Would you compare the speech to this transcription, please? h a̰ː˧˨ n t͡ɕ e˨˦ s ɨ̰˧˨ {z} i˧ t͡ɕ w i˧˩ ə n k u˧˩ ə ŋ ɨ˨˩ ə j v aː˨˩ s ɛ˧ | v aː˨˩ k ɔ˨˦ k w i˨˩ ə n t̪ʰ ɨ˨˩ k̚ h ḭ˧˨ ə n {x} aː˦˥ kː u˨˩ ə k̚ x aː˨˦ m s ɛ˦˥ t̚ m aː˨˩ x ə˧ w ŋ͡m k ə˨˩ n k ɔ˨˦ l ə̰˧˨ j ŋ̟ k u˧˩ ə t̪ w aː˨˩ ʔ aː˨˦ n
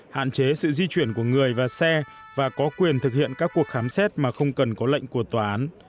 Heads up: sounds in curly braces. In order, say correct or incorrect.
correct, incorrect: k

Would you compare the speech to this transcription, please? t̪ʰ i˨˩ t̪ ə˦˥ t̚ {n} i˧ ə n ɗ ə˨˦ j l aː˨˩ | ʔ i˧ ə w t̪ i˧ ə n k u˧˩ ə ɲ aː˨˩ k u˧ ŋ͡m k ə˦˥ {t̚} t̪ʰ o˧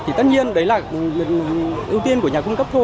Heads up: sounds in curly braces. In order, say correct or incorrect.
incorrect: ɲ, incorrect: p̚

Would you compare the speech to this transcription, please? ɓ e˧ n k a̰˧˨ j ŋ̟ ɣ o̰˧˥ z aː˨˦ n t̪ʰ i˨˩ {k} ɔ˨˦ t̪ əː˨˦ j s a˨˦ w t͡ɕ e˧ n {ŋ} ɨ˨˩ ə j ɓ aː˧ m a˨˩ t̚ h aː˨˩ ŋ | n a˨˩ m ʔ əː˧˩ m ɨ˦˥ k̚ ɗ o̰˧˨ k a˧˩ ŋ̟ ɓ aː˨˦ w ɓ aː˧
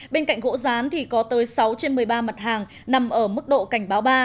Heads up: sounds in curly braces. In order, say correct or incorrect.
correct, incorrect: m

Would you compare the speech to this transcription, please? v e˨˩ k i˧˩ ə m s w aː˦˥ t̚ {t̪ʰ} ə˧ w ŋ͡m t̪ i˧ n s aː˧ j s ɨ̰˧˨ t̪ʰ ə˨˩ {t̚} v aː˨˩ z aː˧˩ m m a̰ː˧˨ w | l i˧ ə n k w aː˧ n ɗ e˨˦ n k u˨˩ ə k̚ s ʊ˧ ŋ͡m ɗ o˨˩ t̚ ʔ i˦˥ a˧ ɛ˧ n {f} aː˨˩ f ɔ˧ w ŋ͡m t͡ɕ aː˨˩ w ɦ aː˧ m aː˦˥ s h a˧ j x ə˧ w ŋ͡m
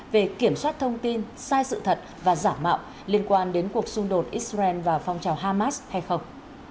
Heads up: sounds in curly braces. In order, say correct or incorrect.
correct, correct, incorrect: v

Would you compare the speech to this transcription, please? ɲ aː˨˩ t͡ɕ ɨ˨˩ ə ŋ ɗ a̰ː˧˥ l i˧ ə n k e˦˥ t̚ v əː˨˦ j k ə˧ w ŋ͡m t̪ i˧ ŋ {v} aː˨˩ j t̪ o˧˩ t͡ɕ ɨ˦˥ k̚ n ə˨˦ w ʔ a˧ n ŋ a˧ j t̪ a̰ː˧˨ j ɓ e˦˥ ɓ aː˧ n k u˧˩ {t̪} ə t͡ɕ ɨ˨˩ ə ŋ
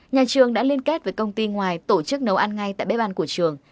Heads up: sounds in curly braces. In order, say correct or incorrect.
incorrect: w, incorrect: none

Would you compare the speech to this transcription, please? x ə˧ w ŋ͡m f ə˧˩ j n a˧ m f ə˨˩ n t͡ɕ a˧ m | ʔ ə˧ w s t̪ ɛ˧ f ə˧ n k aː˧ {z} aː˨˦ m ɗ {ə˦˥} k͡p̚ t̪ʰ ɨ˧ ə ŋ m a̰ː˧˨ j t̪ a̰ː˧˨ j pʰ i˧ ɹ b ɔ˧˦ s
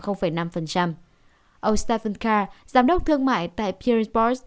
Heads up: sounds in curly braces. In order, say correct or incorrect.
correct, correct

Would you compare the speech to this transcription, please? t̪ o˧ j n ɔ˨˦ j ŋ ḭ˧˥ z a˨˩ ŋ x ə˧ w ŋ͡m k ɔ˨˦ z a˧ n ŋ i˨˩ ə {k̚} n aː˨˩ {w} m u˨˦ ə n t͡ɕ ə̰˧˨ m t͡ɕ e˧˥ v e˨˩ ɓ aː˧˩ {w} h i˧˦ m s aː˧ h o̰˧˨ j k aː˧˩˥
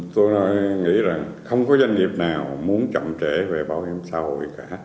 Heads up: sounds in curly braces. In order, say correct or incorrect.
incorrect: p̚, correct, correct

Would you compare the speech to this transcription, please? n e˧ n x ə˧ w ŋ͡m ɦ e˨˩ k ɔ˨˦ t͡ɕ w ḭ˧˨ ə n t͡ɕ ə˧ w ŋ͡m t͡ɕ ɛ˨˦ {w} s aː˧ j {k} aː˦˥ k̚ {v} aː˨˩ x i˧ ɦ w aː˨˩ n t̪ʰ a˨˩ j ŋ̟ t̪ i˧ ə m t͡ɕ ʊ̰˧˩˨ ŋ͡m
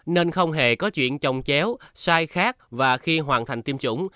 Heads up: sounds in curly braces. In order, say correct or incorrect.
correct, incorrect: x, correct

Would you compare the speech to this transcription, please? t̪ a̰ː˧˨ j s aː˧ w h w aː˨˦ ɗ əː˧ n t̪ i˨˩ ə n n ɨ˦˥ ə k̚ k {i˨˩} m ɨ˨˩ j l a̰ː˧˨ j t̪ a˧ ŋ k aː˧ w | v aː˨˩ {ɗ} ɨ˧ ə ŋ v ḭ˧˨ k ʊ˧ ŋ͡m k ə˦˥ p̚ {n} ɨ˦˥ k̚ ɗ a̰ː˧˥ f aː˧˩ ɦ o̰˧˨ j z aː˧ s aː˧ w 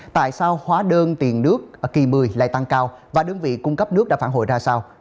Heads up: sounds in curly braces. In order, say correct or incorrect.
correct, correct, correct

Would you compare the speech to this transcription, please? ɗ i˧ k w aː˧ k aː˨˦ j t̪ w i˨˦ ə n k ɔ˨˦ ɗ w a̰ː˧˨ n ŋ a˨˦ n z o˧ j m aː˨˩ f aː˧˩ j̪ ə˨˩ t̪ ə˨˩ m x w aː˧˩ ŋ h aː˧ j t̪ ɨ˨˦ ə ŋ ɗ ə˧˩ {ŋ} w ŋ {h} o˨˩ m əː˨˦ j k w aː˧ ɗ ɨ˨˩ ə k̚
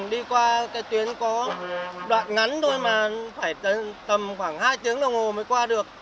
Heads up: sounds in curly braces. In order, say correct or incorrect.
incorrect: none, correct

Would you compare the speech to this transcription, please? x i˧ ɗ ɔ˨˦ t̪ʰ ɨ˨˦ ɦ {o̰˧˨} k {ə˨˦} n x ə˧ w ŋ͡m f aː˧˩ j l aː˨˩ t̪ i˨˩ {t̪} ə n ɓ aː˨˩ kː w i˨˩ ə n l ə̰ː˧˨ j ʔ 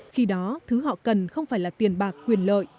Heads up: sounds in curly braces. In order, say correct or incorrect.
incorrect: ɔ̰˧˨, incorrect: ə˨˩, incorrect: none

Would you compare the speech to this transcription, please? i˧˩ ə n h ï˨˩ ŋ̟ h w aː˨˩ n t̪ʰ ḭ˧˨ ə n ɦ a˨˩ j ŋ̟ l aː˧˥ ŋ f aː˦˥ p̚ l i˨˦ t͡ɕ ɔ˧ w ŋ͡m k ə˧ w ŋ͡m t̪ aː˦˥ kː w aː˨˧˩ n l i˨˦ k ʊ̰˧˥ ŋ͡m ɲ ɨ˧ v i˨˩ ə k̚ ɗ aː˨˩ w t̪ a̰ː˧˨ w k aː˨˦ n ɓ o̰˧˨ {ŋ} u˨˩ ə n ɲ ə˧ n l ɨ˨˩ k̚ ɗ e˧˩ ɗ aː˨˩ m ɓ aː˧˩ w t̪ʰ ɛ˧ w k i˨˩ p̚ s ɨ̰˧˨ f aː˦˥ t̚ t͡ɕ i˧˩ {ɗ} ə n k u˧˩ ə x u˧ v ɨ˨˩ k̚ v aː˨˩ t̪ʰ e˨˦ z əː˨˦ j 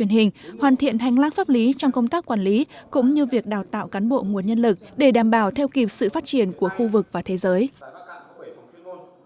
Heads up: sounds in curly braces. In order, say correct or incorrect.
correct, incorrect: none

